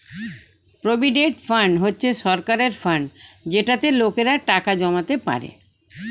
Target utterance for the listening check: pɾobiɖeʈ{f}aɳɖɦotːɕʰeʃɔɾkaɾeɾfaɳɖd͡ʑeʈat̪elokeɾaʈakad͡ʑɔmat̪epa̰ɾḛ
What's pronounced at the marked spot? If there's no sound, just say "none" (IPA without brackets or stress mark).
f